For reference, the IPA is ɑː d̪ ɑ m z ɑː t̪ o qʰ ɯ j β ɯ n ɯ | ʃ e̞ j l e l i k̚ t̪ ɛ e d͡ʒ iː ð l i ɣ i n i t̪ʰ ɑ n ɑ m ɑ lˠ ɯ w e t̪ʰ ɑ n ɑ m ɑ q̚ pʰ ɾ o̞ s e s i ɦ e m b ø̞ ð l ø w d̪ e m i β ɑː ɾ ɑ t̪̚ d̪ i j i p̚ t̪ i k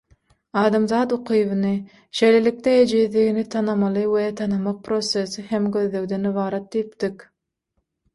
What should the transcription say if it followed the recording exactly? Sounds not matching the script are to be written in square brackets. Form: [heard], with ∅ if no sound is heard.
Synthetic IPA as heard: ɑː d̪ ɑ m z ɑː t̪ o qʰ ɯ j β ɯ n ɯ | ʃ e̞ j l e l i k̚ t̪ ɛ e d͡ʒ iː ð l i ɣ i n i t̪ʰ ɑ n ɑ m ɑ lˠ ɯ w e t̪ʰ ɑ n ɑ m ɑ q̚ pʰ ɾ o̞ s e s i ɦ e m [ɡ] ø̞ ð l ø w d̪ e [n] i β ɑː ɾ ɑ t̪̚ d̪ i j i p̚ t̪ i k